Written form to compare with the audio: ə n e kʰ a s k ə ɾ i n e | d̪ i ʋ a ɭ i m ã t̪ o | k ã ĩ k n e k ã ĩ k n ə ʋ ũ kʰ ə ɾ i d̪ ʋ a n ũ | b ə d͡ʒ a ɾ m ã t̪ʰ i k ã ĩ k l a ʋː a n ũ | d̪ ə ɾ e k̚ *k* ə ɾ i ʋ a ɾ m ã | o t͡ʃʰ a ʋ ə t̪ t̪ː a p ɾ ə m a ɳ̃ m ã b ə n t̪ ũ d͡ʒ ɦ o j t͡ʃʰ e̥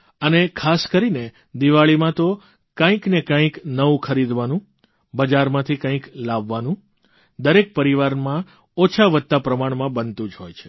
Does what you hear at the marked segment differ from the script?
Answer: yes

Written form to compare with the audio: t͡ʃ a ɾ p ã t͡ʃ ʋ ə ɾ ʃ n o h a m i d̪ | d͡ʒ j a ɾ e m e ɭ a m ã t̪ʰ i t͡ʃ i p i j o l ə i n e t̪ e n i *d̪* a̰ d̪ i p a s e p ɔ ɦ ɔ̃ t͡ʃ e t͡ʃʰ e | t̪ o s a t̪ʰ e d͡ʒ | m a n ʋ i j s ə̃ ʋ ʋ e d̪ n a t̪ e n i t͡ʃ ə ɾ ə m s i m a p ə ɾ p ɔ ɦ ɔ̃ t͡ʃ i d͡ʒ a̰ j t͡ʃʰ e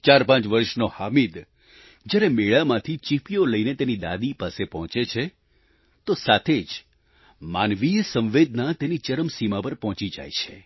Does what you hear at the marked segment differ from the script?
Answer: no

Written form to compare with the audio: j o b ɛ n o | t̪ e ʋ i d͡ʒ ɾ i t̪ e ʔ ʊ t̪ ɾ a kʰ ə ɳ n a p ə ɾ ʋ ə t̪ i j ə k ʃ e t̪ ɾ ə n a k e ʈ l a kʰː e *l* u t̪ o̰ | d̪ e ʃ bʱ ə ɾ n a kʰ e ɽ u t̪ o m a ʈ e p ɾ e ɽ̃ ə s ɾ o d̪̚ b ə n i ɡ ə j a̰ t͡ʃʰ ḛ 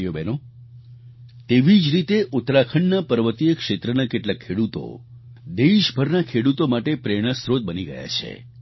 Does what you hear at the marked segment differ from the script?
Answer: yes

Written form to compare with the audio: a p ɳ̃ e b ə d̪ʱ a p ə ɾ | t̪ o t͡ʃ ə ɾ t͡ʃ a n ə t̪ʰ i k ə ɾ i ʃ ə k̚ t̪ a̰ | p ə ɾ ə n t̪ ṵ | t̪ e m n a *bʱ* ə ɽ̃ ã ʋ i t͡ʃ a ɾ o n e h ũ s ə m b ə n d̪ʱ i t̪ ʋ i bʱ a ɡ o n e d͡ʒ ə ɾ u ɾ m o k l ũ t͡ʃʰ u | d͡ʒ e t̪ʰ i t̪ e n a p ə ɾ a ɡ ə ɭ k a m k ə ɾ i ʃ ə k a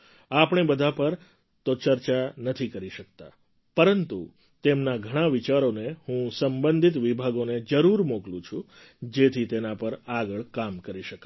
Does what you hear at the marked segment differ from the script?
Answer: yes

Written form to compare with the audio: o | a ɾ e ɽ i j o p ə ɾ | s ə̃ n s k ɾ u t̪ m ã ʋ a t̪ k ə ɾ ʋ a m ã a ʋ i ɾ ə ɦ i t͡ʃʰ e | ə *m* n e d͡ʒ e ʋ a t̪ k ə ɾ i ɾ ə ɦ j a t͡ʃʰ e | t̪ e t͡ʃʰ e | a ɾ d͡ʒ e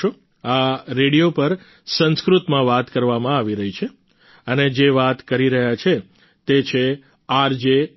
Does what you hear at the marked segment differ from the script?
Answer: yes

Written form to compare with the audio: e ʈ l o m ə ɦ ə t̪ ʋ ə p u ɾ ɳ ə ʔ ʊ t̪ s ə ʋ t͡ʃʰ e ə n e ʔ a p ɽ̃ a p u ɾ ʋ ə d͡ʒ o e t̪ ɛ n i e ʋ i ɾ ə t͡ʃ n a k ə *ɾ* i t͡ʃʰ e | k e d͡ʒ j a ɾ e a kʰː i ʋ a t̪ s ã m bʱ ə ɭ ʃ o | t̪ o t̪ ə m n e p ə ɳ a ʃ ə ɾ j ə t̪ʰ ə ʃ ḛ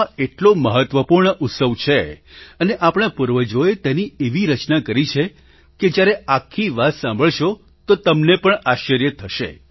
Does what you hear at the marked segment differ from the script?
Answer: no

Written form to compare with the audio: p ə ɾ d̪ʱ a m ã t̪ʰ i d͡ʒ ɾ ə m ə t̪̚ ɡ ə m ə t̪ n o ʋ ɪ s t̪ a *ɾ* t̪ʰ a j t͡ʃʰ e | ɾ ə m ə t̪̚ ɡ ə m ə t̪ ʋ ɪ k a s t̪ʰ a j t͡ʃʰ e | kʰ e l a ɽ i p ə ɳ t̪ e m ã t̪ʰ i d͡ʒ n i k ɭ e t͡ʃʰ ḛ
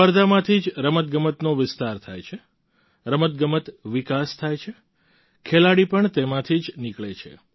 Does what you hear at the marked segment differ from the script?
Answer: no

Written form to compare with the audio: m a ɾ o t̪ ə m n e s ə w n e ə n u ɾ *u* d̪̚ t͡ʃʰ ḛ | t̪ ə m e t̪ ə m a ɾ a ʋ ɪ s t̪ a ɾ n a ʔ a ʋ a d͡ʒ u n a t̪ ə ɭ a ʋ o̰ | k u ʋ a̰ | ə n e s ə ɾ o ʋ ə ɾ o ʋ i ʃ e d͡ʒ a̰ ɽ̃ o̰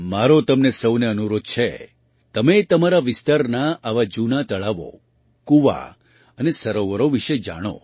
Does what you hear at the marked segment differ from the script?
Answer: yes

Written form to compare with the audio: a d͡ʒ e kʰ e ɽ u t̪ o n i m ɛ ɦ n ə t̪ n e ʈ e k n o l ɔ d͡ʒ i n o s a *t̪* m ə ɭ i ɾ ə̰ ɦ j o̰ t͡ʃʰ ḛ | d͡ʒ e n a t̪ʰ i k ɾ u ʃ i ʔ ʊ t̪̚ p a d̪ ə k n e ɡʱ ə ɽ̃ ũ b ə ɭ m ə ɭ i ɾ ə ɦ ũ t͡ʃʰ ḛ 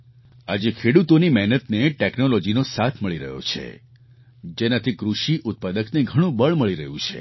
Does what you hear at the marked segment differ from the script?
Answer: yes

